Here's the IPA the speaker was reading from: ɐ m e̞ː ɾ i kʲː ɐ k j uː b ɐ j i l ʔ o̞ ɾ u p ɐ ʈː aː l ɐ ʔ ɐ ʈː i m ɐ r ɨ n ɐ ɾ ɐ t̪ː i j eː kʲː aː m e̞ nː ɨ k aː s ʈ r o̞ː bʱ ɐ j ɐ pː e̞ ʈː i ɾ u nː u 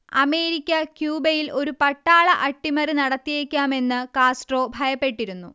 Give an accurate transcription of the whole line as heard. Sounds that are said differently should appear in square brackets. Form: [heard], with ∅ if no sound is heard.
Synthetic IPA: ɐ m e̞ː ɾ i kʲː ɐ k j uː b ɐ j i l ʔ o̞ ɾ u p ɐ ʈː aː [ɭ] ɐ ʔ ɐ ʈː i m ɐ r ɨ n ɐ [ɽ] ɐ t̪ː i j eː kʲː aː m e̞ nː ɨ k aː s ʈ r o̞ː bʱ ɐ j ɐ pː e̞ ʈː i ɾ u nː u